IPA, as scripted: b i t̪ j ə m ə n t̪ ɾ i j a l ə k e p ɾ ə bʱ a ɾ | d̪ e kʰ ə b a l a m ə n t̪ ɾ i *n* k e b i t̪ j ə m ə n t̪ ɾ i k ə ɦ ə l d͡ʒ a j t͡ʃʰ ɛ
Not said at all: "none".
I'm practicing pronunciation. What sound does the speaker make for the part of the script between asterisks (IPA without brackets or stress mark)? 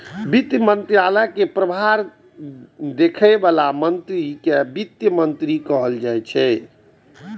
none